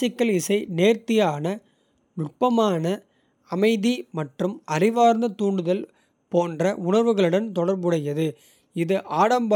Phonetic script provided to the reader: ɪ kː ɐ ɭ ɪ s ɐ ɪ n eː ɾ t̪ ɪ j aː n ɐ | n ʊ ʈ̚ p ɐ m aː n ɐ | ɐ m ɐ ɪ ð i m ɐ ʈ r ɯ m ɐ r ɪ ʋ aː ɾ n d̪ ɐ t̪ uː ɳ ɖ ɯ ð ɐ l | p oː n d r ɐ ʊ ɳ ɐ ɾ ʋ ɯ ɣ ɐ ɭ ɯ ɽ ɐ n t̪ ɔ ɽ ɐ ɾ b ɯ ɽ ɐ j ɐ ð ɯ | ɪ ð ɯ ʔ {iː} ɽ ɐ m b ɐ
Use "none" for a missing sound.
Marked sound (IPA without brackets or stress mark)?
aː